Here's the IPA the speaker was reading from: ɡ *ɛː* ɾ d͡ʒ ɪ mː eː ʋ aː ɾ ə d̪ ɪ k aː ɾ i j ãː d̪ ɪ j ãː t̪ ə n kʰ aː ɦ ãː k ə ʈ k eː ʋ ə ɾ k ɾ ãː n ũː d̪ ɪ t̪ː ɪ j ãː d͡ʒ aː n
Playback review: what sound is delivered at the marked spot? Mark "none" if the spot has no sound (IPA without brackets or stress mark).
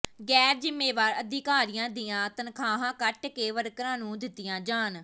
ɛː